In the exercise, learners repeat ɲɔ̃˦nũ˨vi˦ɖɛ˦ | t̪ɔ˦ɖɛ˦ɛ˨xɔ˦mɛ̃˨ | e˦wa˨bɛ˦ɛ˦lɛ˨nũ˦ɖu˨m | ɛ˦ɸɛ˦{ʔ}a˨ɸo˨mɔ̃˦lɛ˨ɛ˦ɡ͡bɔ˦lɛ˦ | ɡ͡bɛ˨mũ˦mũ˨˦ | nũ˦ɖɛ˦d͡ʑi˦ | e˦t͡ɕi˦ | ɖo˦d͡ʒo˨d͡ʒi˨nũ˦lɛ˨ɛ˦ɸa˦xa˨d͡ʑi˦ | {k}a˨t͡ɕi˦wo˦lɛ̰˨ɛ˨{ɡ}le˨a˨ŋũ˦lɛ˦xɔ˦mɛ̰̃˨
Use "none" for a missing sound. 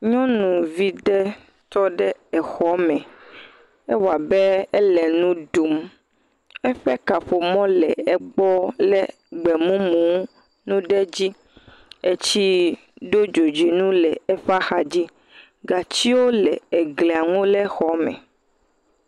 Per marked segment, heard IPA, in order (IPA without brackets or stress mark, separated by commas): k, ɡ, ɡ